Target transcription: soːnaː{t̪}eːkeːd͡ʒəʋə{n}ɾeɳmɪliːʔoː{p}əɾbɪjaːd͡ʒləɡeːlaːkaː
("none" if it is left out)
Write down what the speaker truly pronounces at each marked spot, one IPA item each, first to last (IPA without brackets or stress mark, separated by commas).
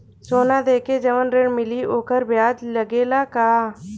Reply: d̪, n, k